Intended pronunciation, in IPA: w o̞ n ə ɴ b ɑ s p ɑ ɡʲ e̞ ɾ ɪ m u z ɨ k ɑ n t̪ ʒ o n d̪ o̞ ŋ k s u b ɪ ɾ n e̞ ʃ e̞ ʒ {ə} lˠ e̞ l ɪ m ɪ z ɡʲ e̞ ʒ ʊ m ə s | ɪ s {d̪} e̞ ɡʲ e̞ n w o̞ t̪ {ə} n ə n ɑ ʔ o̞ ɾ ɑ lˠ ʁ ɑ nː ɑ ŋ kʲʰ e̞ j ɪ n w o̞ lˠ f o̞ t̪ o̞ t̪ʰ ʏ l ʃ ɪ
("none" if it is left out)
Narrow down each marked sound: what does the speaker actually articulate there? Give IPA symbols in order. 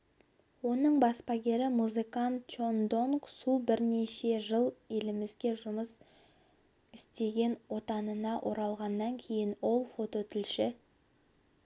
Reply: ə, t̪, ɑ

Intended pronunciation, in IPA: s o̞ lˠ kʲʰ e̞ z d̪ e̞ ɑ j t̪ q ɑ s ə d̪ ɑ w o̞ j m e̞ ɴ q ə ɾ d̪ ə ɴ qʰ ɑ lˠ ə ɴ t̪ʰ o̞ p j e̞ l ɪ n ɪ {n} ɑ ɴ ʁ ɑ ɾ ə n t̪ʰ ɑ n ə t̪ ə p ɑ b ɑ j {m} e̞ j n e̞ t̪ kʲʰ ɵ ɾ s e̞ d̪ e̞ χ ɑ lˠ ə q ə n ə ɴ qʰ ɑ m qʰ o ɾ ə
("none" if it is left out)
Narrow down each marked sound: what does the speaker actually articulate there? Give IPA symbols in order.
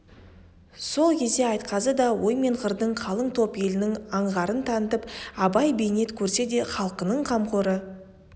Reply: ŋ, b

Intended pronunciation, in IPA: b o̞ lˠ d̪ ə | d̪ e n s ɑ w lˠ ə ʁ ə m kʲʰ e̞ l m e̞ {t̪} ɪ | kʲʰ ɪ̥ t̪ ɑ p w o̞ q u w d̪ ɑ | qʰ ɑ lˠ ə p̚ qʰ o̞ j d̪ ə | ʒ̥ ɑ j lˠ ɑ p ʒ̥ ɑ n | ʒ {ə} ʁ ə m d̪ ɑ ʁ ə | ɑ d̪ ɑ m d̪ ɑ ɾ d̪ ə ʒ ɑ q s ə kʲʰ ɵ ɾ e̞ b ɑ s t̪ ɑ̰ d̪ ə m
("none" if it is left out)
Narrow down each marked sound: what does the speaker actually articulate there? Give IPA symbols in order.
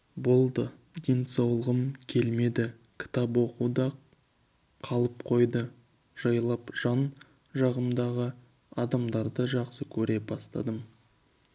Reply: d̪, ɑ

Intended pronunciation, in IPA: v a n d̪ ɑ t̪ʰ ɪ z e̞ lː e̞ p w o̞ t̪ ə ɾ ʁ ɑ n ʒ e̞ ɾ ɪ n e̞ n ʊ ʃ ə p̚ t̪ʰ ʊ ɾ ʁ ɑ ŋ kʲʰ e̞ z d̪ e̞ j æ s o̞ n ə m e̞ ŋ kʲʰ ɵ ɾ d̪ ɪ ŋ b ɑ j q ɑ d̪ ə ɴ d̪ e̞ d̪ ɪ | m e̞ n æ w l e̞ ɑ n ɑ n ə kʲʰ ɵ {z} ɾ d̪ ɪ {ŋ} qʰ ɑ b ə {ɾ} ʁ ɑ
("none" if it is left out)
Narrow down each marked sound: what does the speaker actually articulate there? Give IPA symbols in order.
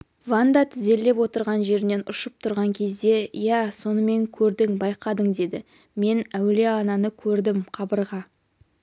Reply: none, m, ɾ

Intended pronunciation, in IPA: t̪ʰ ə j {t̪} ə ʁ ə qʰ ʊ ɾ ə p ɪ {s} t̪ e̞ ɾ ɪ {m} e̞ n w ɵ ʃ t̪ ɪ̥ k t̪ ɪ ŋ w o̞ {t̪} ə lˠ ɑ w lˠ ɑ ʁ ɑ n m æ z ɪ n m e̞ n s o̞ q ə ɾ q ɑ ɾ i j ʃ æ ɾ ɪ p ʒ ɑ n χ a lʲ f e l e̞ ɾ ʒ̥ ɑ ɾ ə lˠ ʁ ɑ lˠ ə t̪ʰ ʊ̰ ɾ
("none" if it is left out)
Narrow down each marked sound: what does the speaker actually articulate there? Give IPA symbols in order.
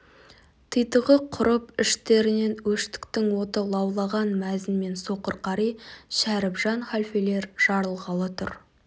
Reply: t̪, ʃ, n, t̪

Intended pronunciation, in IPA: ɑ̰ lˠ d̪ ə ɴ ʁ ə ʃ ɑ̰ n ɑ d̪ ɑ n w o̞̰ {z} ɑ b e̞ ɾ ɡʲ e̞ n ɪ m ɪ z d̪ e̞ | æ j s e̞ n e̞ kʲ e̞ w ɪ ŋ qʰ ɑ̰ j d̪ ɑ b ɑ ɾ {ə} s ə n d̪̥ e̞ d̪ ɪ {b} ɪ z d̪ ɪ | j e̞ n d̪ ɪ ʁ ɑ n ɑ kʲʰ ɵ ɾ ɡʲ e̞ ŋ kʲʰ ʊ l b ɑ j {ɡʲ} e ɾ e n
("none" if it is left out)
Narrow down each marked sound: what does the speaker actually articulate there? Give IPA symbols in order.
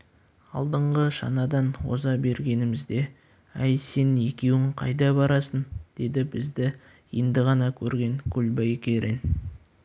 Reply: z, ɑ, b, kʲ

